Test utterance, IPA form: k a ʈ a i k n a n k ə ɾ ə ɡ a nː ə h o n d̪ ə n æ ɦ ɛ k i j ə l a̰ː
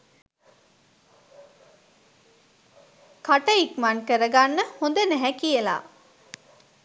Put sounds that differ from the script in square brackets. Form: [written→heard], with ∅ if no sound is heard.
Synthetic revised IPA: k a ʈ [a→ə] i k [n→m] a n k ə ɾ ə ɡ a nː ə h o n d̪ ə n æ ɦ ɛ k i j ə l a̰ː